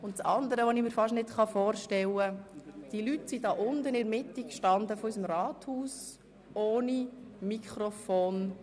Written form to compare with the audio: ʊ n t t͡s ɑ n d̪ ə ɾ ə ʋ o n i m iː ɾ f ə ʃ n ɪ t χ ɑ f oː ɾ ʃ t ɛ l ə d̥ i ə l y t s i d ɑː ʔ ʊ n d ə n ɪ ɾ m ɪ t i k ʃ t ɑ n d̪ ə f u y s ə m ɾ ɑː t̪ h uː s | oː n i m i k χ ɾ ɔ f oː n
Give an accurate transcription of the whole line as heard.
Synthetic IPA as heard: ʊ n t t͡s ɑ n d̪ ə ɾ ə ʋ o n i m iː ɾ f ɑ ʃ n ɪ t χ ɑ f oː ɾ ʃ t ɛ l ə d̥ i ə l y t s i d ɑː ʔ ʊ n d ə n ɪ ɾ m ɪ t i k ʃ t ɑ n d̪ ə f ɔ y s ə m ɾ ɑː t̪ h uː s | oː n i m i k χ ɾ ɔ f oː n